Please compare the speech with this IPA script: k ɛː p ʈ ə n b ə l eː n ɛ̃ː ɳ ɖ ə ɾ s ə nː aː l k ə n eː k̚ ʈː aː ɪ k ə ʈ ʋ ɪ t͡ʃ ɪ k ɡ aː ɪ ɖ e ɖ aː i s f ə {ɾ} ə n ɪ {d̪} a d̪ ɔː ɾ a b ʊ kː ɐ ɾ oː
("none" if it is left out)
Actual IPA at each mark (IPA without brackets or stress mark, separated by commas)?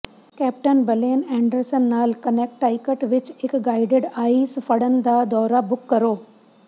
ɽ, d̪